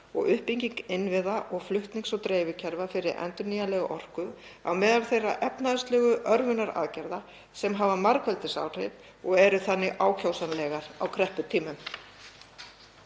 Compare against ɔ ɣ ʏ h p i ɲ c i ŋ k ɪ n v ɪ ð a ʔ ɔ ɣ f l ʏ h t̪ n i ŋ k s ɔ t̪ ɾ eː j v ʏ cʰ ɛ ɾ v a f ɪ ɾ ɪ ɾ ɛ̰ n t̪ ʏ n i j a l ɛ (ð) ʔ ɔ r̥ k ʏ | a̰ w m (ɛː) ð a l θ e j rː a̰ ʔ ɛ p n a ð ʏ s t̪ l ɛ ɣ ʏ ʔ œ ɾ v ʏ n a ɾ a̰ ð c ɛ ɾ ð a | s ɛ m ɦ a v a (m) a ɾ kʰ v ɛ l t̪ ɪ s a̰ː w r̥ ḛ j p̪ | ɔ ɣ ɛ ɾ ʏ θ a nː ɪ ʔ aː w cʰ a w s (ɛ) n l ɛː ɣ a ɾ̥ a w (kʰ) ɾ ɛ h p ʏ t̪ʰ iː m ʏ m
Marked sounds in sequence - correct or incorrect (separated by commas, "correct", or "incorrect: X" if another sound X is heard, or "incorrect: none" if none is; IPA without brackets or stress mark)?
incorrect: ɣ, correct, correct, incorrect: a, correct